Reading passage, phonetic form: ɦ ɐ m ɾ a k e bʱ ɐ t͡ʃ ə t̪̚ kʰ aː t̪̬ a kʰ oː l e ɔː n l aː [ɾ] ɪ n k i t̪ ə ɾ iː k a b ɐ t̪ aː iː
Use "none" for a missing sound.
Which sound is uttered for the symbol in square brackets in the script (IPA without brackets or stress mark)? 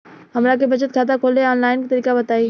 none